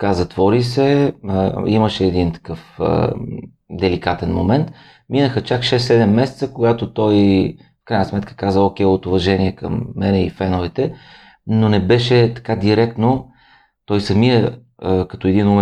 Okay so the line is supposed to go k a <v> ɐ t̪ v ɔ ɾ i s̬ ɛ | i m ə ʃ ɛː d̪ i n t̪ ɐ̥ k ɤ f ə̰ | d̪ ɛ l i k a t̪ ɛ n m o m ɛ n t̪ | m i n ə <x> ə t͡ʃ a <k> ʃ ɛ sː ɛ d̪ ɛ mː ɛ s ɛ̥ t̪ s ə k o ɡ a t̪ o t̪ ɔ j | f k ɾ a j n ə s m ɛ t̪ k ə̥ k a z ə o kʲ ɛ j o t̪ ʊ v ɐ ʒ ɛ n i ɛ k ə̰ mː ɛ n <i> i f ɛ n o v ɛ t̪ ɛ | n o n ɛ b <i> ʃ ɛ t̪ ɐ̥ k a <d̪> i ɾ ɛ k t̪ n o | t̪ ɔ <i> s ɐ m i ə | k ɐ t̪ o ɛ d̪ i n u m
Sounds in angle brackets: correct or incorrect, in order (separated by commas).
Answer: incorrect, correct, correct, incorrect, incorrect, correct, incorrect